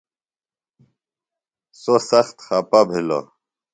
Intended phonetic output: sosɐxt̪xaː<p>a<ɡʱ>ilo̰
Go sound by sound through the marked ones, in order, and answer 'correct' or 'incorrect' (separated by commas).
correct, incorrect